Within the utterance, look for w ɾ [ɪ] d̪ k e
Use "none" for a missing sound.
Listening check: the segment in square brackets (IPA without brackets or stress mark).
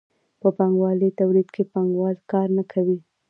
i